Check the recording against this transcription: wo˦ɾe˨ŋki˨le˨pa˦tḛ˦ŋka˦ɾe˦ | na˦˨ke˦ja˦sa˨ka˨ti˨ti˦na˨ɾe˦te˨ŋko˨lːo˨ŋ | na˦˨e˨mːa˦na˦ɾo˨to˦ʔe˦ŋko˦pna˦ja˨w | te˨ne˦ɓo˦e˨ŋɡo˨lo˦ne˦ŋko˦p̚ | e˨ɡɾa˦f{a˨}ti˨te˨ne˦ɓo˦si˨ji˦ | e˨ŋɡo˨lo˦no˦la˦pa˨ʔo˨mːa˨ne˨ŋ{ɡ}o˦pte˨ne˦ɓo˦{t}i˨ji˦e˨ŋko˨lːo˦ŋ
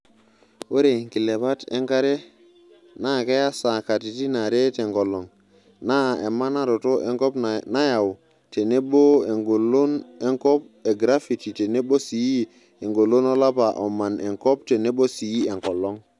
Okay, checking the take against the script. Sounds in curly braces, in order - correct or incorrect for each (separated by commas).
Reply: incorrect, incorrect, incorrect